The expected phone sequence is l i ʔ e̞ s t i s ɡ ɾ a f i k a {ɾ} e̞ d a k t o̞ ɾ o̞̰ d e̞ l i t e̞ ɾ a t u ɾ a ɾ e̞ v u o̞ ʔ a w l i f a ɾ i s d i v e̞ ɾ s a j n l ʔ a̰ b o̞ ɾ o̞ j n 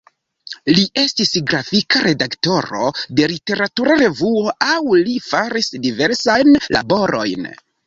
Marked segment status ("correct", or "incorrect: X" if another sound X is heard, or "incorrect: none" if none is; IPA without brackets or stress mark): correct